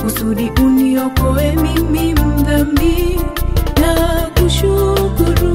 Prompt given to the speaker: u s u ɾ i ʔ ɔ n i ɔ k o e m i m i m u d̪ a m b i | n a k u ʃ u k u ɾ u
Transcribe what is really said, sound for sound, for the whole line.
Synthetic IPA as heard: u s u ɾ i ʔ u n i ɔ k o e m i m i m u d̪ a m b i | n a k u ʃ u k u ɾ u